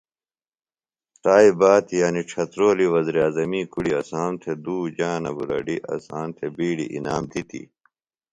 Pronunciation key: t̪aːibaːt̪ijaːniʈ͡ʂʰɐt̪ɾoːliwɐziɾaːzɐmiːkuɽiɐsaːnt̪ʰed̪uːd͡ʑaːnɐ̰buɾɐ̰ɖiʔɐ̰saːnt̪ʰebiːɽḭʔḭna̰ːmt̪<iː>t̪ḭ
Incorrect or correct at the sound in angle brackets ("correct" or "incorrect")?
incorrect